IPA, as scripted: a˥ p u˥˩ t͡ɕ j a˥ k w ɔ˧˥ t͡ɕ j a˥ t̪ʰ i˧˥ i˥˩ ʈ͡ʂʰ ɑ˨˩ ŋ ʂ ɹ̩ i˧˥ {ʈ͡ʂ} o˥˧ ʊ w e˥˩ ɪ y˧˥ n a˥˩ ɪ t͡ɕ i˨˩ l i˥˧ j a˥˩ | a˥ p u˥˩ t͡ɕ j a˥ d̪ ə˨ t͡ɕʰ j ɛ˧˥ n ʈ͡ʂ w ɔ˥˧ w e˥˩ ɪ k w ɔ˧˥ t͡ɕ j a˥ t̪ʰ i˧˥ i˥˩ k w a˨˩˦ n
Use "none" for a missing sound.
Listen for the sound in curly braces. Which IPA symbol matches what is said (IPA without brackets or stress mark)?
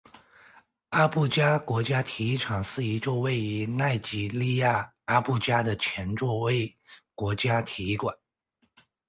ʈ͡ʂ